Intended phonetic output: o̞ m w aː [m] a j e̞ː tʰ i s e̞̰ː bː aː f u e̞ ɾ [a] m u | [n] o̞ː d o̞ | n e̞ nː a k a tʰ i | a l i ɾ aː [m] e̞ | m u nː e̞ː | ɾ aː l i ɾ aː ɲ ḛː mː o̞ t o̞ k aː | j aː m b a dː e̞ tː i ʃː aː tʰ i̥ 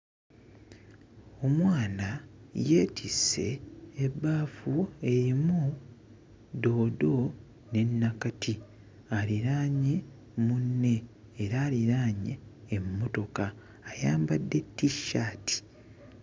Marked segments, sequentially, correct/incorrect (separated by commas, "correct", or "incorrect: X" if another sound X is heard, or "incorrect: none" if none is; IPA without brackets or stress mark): incorrect: n, incorrect: i, incorrect: d, incorrect: ɲ